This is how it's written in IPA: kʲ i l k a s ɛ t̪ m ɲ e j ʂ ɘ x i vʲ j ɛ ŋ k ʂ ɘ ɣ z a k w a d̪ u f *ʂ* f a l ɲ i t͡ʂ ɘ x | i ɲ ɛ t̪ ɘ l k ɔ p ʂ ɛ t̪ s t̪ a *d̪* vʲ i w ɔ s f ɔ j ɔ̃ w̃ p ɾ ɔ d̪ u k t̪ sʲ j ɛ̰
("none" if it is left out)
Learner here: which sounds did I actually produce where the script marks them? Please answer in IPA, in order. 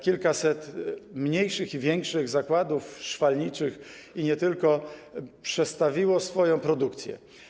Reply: ʂ, none

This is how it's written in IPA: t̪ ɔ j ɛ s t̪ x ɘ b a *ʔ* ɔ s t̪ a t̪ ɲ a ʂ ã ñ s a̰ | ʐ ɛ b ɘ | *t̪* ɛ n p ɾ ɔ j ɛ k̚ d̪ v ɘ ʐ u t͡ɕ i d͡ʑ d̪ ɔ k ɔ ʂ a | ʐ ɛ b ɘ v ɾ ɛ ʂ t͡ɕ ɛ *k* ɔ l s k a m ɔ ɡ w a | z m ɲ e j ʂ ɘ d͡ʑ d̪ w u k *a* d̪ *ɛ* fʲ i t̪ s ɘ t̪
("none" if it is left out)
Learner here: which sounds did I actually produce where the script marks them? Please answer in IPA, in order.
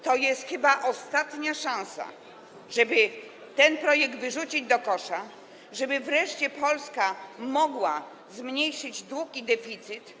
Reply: ʔ, t̪, p, i, ɛ

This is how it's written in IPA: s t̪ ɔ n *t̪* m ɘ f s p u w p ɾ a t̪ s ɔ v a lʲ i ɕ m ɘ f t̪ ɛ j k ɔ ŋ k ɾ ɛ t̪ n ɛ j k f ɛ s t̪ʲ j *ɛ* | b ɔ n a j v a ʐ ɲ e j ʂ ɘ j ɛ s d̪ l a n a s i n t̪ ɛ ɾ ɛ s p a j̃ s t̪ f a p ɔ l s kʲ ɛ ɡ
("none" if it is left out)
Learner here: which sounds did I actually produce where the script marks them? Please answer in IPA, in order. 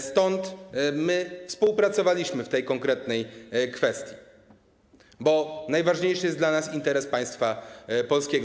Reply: t̪, i

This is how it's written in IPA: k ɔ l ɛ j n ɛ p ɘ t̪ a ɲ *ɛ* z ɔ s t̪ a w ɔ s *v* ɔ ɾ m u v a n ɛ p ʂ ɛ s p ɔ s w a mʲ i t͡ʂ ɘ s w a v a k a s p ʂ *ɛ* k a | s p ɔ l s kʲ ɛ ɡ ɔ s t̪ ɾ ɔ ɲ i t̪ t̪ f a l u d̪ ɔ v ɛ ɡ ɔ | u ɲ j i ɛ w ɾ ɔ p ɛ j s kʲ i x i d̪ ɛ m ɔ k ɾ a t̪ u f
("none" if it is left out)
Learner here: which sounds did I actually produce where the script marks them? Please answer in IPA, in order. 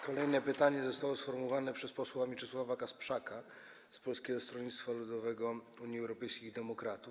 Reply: ɛ, f, a

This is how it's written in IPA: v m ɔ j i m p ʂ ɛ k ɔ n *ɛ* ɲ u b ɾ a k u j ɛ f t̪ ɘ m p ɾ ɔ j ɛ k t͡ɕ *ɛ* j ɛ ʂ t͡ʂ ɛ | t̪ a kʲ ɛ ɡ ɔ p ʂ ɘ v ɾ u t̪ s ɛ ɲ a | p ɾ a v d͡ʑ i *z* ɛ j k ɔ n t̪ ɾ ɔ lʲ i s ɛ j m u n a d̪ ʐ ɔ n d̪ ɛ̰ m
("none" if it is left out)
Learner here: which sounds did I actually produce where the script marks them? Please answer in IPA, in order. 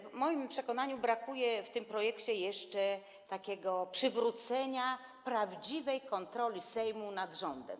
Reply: a, ɛ, v

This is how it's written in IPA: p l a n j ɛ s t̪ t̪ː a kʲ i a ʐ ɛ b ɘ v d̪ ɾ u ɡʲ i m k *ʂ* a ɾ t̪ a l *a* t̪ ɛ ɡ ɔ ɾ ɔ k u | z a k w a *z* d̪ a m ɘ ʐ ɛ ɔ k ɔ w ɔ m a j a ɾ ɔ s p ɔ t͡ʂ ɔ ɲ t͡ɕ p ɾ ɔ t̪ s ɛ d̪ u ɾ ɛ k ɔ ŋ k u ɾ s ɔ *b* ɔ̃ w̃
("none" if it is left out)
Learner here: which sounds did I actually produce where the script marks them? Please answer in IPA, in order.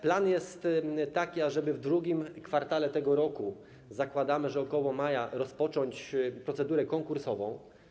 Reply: f, ɛ, none, v

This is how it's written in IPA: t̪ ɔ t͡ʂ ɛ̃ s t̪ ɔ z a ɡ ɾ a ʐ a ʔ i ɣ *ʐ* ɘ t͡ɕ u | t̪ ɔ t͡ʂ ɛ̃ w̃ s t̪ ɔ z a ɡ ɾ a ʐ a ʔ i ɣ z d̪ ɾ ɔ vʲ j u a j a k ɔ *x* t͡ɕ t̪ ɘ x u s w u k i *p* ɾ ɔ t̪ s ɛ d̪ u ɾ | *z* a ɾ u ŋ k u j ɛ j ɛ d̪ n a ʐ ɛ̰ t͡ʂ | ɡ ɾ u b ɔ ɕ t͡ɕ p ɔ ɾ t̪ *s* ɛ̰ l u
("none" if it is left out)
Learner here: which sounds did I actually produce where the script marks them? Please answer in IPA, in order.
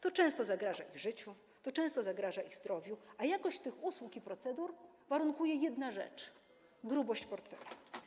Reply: ʐ, ɕ, p, v, f

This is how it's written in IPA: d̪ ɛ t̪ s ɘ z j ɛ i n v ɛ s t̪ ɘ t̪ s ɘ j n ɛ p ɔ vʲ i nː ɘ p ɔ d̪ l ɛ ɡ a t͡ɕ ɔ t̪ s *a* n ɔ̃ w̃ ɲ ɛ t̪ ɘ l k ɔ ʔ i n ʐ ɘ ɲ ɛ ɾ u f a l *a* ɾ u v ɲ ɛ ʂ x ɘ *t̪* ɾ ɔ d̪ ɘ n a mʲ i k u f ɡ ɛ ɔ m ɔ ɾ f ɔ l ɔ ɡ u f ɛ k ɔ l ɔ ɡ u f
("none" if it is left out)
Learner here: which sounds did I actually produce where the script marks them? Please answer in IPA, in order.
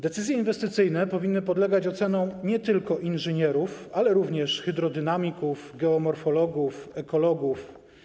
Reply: ɛ, ɛ, d̪

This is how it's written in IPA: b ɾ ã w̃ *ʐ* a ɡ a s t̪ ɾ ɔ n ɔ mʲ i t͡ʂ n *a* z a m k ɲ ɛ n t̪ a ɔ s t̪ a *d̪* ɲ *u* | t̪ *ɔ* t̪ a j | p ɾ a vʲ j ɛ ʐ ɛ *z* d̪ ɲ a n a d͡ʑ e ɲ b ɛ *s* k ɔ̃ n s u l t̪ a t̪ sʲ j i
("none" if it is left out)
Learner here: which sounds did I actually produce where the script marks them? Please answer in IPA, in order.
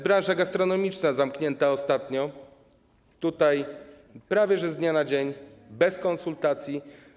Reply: ʐ, a, t̪, ɔ, u, z, s

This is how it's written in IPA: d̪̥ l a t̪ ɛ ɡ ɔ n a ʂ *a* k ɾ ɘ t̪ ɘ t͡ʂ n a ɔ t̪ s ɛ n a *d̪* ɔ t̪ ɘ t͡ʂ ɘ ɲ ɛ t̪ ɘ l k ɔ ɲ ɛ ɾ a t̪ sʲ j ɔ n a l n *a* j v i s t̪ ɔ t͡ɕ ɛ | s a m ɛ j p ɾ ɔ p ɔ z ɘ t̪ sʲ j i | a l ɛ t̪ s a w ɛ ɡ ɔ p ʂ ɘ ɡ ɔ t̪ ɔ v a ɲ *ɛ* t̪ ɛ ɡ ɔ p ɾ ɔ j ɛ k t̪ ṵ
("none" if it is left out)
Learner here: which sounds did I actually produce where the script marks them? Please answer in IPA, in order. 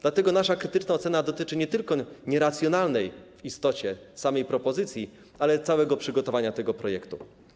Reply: a, d̪, ɛ, a

